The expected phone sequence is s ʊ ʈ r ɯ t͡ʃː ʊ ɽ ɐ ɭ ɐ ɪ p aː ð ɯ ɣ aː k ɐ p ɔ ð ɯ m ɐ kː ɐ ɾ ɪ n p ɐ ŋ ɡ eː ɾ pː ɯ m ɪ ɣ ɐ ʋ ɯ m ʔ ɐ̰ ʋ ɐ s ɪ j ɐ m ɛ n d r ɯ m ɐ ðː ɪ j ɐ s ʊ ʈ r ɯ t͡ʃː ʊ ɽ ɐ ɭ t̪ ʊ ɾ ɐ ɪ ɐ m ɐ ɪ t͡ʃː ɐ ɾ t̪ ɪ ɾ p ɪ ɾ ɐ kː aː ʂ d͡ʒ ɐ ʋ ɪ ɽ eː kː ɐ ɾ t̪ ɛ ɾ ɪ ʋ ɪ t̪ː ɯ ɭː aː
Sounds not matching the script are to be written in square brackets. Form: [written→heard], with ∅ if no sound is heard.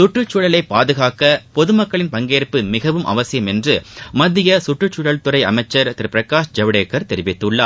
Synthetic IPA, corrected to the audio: s ʊ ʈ r ɯ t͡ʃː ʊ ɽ ɐ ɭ ɐ ɪ p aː ð ɯ ɣ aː k ɐ p ɔ ð ɯ m ɐ kː ɐ [ɾ→ɭ] ɪ n p ɐ ŋ ɡ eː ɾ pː ɯ m ɪ ɣ ɐ ʋ ɯ m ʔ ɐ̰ ʋ ɐ s ɪ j ɐ m ɛ n d r ɯ m ɐ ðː ɪ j ɐ s ʊ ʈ r ɯ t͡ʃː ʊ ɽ ɐ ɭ t̪ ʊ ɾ ɐ ɪ ɐ m ɐ ɪ t͡ʃː ɐ ɾ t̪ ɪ ɾ p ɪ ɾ ɐ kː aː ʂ d͡ʒ ɐ ʋ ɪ ɽ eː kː ɐ ɾ t̪ ɛ ɾ ɪ ʋ ɪ t̪ː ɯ ɭː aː